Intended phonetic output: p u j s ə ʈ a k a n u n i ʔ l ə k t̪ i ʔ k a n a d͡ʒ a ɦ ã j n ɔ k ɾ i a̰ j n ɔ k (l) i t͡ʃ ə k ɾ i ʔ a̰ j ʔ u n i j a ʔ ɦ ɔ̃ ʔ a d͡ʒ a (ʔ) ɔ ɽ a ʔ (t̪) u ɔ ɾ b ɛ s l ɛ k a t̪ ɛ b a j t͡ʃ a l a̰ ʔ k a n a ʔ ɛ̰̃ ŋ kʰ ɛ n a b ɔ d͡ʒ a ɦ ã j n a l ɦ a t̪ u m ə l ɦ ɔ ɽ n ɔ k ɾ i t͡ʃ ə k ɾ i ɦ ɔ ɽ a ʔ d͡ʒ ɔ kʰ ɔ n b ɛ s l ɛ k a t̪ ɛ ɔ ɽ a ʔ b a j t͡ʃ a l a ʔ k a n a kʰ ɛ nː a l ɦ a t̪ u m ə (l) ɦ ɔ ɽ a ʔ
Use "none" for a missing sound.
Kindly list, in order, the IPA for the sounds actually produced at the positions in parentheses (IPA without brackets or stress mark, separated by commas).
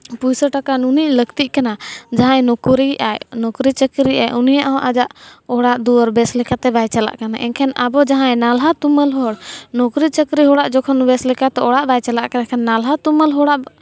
ɾ, ʔ, d̪, l